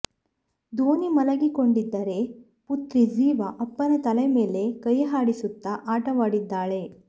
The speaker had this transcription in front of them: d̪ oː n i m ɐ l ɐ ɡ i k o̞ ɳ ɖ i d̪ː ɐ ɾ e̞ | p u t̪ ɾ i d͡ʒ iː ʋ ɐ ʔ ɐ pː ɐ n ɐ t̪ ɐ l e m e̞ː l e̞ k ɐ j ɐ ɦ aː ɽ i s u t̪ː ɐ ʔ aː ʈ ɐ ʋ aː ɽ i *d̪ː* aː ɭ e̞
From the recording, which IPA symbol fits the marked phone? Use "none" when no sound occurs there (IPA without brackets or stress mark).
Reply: d̪ː